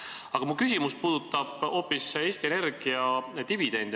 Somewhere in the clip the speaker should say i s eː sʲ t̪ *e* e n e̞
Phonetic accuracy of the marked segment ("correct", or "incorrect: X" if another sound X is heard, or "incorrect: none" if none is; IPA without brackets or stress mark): incorrect: i